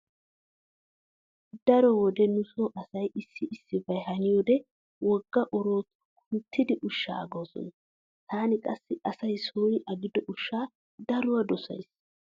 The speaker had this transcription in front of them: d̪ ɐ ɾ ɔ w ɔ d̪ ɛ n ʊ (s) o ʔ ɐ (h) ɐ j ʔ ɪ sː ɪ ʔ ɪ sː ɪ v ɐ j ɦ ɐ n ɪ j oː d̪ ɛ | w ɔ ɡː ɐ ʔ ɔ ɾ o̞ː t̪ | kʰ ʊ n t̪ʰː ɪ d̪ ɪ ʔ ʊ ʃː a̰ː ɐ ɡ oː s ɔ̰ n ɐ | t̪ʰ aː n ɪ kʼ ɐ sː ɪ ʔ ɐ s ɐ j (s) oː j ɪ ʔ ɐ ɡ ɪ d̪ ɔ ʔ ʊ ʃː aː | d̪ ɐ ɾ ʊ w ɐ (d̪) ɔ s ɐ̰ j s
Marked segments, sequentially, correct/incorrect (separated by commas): correct, incorrect, correct, correct